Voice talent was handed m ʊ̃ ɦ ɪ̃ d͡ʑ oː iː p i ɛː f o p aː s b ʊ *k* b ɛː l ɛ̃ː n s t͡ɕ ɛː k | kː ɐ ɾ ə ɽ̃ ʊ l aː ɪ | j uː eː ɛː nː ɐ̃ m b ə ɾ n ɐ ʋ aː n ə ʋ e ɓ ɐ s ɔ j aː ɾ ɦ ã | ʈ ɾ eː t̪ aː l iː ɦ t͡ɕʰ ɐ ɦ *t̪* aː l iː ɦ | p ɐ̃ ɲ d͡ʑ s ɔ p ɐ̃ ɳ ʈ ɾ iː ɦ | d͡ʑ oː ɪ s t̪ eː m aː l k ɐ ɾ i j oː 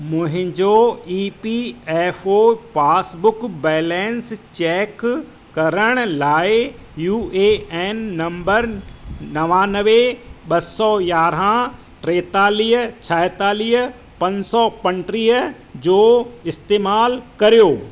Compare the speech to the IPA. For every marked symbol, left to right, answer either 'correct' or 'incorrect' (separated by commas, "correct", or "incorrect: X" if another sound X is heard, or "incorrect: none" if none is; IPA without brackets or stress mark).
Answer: correct, correct